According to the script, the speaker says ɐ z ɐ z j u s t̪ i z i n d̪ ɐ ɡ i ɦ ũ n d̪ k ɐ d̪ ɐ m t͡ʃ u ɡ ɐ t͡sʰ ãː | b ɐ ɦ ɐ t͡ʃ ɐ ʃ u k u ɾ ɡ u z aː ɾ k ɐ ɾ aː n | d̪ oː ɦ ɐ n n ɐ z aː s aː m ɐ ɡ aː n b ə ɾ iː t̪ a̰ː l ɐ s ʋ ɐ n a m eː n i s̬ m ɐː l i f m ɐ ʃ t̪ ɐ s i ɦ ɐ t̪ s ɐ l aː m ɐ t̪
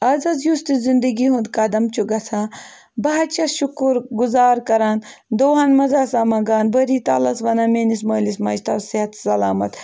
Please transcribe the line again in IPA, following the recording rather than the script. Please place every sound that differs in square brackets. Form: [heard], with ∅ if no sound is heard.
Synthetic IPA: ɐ z ɐ z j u s t̪ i z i n d̪ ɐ ɡ i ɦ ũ n d̪ k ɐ d̪ ɐ m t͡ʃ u ɡ ɐ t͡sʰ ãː | b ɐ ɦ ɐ t͡ʃ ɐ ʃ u k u ɾ ɡ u z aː ɾ k ɐ ɾ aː n | d̪ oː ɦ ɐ n [m] ɐ z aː s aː m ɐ ɡ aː n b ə ɾ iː t̪ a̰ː l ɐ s ʋ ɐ n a m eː n i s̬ m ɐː l i [s] m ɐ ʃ t̪ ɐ s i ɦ ɐ t̪ s ɐ l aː m ɐ t̪